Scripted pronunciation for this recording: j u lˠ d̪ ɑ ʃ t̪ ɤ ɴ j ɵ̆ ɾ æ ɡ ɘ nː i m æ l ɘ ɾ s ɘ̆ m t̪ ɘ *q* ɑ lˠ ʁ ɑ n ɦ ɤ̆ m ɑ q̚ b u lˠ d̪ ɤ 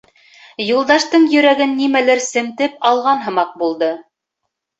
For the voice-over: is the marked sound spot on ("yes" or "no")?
no